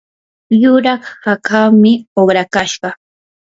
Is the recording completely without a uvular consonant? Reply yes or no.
no